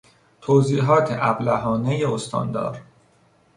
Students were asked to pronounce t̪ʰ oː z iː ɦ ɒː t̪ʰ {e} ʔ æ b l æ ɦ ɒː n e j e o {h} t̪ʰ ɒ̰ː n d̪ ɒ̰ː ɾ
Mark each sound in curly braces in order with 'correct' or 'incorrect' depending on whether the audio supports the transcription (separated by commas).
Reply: correct, incorrect